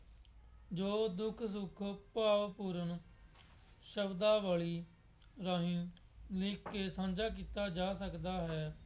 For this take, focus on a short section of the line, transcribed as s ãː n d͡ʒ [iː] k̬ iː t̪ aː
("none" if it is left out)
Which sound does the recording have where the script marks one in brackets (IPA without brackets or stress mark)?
aː